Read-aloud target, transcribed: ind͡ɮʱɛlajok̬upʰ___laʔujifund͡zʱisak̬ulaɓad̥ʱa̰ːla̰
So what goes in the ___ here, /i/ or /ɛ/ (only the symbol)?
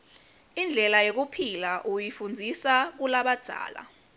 i